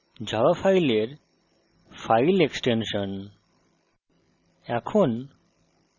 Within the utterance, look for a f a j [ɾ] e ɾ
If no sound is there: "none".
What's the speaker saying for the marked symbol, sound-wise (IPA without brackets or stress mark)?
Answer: l